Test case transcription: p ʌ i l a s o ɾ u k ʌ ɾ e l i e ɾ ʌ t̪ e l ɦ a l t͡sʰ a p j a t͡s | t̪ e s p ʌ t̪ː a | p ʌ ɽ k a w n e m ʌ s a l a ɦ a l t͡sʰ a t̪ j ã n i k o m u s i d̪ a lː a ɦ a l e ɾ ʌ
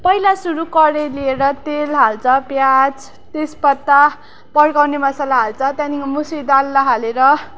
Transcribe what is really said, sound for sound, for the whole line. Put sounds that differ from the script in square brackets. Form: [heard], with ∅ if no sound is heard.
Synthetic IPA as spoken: p ʌ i l a s [u] ɾ u k ʌ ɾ e l i e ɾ ʌ t̪ e l ɦ a l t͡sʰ [ʌ] p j a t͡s | t̪ e s p ʌ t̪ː a | p ʌ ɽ k a w n e m ʌ s a l a ɦ a l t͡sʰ [ʌ] t̪ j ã n i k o m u s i d̪ a lː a ɦ a l e ɾ ʌ